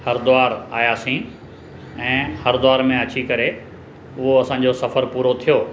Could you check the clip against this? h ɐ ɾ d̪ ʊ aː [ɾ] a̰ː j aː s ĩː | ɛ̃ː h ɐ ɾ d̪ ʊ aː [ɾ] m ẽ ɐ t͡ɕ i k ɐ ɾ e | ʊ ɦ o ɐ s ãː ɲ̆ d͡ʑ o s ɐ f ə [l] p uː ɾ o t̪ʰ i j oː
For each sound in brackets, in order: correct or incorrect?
correct, correct, incorrect: ɾ

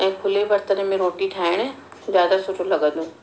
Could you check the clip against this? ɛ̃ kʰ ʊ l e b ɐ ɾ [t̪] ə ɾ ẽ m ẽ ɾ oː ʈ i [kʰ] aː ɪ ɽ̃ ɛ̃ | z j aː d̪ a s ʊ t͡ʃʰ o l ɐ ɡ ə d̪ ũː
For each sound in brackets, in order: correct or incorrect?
correct, incorrect: ʈʰ

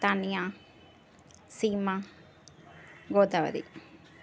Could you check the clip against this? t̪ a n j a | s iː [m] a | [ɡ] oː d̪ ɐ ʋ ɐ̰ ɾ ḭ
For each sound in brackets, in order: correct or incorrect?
correct, correct

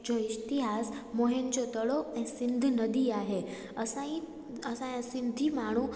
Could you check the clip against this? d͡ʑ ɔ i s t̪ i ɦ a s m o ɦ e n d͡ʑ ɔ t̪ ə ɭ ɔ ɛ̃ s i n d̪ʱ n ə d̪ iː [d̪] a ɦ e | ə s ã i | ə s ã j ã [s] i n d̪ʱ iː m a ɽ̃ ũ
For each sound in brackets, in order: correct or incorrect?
incorrect: none, correct

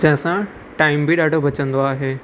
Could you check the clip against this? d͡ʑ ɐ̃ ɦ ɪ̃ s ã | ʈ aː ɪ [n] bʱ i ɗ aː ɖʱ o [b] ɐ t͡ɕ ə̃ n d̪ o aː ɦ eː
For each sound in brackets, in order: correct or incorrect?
incorrect: m, correct

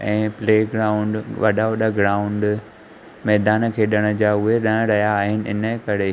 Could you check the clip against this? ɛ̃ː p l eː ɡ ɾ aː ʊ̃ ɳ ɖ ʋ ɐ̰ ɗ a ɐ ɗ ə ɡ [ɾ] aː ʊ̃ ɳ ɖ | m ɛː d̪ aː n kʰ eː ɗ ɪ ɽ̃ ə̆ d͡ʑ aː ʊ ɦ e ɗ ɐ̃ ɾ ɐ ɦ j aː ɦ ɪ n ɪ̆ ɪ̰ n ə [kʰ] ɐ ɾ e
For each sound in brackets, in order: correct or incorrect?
correct, incorrect: k

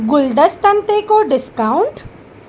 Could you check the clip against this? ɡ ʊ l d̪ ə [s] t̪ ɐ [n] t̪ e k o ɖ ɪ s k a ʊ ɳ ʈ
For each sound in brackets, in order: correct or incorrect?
correct, correct

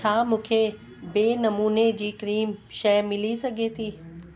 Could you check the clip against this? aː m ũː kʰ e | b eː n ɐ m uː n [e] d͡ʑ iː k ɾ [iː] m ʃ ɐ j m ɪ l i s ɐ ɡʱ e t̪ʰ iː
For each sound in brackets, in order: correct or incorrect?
correct, correct

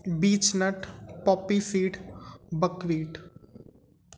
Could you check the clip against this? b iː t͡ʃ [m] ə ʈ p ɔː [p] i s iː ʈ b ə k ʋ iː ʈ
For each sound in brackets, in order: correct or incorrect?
incorrect: n, correct

